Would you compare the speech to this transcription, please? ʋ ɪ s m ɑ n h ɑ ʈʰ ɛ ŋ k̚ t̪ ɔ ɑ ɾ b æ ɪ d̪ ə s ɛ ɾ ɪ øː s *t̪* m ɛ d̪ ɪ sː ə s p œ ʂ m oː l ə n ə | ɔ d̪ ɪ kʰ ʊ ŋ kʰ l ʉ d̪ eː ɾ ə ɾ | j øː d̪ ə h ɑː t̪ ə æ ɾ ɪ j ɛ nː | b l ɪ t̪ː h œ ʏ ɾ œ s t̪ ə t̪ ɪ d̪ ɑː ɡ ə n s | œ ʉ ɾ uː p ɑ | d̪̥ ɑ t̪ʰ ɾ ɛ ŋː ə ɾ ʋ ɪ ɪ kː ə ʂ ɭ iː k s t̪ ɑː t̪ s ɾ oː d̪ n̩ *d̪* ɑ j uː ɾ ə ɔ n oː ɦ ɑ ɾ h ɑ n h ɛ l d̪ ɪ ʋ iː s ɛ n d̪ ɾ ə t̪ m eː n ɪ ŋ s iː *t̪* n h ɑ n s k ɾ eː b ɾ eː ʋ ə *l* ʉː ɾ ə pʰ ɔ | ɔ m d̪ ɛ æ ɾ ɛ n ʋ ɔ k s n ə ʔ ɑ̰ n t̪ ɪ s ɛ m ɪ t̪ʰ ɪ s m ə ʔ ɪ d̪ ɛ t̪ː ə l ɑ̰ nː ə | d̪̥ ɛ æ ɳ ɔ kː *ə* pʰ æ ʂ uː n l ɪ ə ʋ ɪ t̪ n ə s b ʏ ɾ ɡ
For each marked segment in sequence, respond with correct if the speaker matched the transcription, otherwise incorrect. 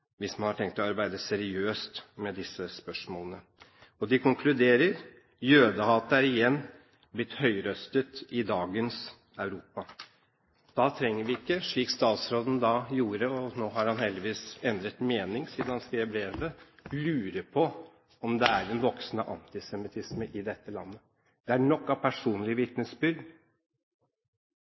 correct, correct, incorrect, correct, incorrect

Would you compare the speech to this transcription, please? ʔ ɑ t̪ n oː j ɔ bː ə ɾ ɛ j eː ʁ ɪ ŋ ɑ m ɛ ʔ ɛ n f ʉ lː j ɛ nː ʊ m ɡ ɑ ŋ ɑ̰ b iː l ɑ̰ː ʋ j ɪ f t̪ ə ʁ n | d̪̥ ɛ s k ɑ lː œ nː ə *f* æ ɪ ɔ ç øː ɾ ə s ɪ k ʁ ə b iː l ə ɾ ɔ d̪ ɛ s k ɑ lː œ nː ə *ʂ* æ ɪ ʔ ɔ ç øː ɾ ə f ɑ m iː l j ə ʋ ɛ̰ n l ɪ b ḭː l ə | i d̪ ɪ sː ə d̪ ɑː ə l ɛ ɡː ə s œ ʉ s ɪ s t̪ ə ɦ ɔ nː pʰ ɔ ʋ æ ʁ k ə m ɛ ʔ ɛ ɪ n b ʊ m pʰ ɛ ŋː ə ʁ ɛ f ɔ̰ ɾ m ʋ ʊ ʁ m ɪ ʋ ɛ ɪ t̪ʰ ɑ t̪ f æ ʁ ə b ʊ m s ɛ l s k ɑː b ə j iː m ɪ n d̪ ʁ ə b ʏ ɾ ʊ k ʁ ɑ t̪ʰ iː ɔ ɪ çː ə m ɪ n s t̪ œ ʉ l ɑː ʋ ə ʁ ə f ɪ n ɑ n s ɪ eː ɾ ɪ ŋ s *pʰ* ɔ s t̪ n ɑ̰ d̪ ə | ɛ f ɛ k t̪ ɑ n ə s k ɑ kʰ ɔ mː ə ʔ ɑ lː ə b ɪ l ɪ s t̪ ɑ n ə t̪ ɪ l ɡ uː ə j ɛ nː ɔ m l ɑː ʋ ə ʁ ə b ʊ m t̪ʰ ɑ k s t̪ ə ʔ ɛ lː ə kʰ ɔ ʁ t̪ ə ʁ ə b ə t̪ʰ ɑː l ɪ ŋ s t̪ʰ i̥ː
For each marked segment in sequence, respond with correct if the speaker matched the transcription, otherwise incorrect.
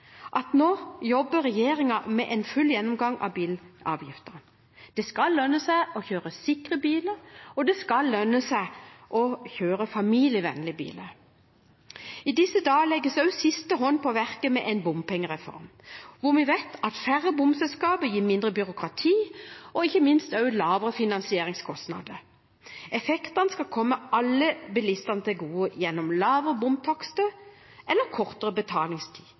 incorrect, incorrect, incorrect

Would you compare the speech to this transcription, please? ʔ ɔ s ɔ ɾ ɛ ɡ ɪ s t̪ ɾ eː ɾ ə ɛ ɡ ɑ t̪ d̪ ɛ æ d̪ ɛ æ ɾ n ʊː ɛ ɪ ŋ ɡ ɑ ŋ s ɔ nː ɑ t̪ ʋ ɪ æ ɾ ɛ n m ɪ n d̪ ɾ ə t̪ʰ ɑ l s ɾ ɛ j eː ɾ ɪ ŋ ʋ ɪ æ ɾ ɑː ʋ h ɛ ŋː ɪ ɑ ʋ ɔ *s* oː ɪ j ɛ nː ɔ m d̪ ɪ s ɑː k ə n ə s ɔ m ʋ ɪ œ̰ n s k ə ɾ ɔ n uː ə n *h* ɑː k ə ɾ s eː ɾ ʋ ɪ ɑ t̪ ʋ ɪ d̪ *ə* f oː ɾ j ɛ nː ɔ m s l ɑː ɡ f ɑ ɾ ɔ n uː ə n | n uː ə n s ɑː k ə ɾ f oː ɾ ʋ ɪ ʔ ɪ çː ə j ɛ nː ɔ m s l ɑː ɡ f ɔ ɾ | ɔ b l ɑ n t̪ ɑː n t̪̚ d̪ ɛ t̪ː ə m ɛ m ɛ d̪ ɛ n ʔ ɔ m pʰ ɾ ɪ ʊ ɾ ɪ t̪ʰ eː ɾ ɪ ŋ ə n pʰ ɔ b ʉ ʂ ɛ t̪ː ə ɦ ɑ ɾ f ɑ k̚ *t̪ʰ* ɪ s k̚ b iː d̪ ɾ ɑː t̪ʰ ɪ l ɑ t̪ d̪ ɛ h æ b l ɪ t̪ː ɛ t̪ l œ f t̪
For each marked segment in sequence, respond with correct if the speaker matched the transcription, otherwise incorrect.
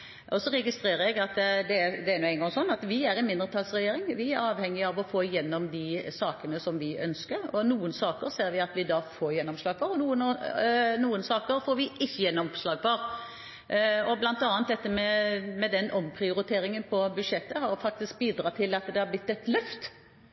incorrect, incorrect, incorrect, incorrect

